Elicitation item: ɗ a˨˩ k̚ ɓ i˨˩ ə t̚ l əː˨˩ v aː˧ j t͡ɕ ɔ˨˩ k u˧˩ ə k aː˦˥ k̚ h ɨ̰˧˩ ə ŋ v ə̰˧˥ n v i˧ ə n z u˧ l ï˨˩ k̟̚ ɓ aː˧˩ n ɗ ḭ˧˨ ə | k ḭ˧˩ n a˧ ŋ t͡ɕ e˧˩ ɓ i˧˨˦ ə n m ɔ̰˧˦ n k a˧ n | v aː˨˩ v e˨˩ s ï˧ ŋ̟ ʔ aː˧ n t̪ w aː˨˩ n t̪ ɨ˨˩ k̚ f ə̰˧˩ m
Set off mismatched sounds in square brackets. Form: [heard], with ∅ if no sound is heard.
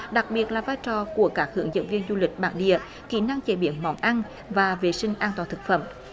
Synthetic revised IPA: ɗ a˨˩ k̚ ɓ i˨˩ ə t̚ l [aː˨˩] v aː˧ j t͡ɕ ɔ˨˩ k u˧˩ ə k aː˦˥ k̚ h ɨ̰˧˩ ə ŋ [z] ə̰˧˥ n v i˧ ə n z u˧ l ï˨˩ k̟̚ ɓ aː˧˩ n ɗ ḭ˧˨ ə | k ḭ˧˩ n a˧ ŋ t͡ɕ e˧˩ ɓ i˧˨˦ ə n m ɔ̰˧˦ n [ʔ] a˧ n | v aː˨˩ v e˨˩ s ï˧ ŋ̟ ʔ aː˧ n t̪ w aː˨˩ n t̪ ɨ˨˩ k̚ f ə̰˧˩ m